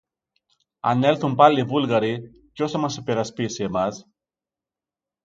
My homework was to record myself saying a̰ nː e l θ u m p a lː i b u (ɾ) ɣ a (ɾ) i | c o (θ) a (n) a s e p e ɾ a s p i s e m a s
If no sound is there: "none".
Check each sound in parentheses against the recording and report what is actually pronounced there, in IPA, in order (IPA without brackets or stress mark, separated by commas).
l, ɾ, s, m